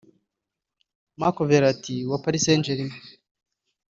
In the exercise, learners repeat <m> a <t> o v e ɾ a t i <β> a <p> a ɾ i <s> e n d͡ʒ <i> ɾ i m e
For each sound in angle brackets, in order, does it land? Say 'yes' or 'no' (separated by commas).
yes, no, no, yes, yes, no